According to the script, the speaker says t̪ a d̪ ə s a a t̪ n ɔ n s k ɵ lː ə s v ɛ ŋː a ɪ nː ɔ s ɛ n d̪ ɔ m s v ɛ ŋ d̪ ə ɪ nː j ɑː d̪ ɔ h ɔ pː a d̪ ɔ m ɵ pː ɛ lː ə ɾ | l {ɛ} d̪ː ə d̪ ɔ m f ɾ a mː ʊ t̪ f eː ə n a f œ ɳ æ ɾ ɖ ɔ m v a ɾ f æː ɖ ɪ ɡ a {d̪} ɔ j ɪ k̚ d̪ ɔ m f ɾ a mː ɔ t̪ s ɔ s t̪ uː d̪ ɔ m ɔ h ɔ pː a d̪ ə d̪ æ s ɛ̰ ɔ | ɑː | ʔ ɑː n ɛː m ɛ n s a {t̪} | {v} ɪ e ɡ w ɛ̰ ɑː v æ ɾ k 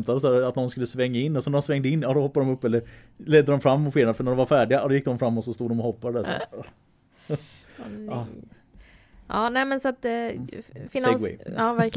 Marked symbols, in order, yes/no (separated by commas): yes, yes, yes, no